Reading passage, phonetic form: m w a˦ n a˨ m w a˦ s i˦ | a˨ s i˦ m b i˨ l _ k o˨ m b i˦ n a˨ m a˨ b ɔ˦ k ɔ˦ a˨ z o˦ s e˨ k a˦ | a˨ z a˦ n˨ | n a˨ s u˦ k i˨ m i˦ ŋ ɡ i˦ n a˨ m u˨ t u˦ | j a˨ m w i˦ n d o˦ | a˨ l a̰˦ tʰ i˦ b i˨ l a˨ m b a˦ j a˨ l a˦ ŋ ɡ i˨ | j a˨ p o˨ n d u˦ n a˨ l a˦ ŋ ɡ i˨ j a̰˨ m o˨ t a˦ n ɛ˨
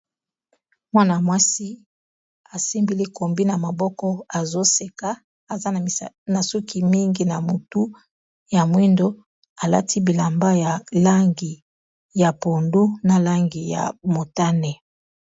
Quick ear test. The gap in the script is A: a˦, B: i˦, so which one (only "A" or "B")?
B